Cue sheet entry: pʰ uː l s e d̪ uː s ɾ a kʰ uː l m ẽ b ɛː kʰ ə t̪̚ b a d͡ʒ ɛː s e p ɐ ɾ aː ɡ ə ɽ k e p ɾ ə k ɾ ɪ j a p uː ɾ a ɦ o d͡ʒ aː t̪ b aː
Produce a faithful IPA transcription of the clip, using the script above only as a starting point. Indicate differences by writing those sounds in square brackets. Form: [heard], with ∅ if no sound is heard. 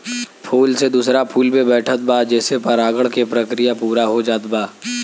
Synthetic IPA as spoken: pʰ uː l s e d̪ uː s ɾ a [pʰ] uː l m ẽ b ɛː [ʈʰ] ə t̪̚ b a d͡ʒ ɛː s e p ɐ ɾ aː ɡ ə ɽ k e p ɾ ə k ɾ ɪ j a p uː ɾ a ɦ o d͡ʒ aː t̪ b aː